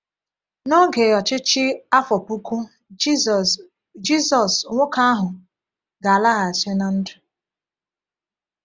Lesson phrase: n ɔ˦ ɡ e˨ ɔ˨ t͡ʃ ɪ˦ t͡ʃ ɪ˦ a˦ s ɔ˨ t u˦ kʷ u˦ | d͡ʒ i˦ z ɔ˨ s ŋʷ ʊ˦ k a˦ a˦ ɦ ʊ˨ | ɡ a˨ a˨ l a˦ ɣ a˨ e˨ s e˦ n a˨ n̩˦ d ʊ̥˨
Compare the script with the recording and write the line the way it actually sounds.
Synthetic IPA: n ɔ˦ ɡ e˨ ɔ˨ t͡ʃ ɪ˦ t͡ʃ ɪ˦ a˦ f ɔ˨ p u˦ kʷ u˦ | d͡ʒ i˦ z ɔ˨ s ŋʷ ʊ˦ k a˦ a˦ ɦ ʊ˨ | ɡ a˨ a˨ l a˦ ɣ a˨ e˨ s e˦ n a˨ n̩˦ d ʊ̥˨